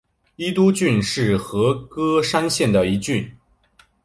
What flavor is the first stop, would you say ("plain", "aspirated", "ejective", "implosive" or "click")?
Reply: plain